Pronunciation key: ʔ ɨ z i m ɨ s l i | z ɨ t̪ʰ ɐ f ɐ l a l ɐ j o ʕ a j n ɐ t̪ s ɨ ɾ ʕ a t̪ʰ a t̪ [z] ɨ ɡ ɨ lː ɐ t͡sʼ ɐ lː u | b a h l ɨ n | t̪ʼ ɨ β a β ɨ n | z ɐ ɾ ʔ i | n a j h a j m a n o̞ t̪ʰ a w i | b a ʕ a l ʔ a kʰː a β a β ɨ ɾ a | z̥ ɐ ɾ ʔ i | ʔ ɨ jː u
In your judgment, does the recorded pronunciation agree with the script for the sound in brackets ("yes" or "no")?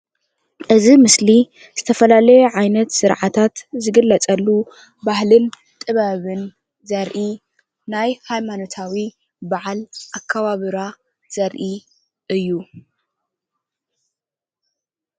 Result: yes